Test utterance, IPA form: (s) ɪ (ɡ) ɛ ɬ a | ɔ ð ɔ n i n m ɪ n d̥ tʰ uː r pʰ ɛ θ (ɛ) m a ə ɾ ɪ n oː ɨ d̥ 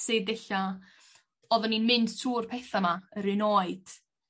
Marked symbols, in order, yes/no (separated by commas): yes, no, no